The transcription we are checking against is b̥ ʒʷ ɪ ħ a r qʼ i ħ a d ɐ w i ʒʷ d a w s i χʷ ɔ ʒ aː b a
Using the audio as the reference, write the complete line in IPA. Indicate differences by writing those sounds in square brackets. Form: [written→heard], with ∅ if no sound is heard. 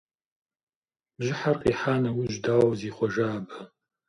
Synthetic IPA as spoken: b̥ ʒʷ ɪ ħ a r qʼ i ħ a [d→n] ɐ w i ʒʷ d a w [s→z] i χʷ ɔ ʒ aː b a